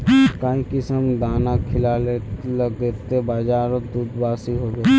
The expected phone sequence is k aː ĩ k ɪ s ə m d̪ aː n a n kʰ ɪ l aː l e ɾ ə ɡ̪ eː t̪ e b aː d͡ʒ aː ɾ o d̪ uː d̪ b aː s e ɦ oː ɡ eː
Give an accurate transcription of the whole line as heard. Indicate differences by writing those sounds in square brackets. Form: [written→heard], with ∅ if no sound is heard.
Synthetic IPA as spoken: k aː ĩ k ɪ s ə m d̪ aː n a [n→∅] kʰ ɪ l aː l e [ɾ→l] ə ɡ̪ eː t̪ e b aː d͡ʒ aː ɾ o d̪ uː d̪ b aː s [e→i] ɦ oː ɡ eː